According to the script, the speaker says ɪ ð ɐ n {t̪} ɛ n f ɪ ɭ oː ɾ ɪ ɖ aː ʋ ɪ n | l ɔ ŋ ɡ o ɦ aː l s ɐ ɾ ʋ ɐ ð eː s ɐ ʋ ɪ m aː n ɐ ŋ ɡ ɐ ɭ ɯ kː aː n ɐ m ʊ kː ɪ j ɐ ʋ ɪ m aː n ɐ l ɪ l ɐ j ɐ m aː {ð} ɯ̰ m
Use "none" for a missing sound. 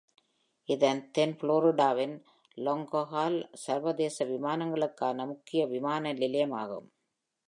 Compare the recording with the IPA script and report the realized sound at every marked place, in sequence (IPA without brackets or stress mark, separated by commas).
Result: t̪, ɣ